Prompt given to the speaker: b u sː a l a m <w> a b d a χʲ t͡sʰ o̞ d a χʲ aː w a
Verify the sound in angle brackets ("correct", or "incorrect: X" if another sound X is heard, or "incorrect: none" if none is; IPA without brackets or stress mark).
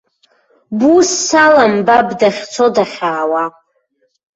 incorrect: b